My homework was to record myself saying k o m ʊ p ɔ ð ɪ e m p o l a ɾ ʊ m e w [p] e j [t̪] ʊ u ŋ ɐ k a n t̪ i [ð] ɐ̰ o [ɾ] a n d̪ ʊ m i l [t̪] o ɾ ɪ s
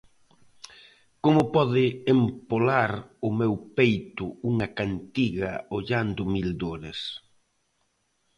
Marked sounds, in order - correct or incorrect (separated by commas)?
correct, correct, incorrect, incorrect, incorrect